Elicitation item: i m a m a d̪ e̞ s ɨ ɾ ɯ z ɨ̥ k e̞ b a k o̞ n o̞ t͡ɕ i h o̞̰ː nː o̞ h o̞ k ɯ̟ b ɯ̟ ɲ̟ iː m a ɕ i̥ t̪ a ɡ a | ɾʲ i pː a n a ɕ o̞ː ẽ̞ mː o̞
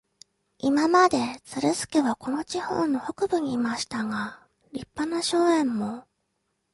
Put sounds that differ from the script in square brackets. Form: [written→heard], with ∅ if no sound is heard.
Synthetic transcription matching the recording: i m a m a d̪ e̞ [s→t͡s] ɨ ɾ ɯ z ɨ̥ k e̞ [b→β] a k o̞ n o̞ t͡ɕ i h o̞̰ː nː o̞ h o̞ k ɯ̟ b ɯ̟ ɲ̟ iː m a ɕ i̥ t̪ a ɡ a | ɾʲ i pː a n a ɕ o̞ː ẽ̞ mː o̞